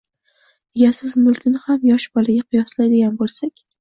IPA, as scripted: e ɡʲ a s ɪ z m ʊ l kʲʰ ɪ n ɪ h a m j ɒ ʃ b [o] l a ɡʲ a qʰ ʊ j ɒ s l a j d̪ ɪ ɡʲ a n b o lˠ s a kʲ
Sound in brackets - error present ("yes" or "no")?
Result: yes